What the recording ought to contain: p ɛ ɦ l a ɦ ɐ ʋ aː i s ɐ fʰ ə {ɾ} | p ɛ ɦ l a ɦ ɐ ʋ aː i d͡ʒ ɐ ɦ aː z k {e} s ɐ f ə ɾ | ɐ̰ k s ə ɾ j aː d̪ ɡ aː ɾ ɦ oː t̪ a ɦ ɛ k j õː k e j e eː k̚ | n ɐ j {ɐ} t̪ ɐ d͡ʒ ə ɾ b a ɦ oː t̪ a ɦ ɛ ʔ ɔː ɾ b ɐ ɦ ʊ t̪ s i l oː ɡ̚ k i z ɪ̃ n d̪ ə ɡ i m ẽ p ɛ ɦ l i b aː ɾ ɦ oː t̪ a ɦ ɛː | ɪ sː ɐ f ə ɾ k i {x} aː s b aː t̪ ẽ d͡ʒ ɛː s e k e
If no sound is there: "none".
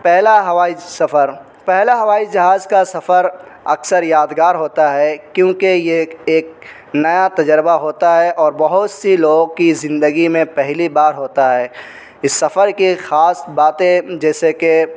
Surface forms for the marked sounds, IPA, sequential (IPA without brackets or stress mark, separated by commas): ɾ, a, a, x